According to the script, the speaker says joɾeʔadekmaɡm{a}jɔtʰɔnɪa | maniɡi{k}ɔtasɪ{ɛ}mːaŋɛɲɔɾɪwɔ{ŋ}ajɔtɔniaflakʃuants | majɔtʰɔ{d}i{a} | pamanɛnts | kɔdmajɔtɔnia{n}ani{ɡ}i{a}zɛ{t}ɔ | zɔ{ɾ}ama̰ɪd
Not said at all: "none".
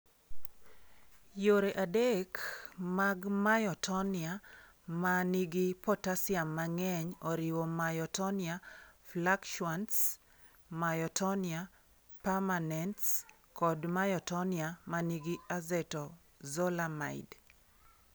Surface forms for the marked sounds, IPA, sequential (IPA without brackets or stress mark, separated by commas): a, p, a, m, n, a, m, ɡ, a, t, l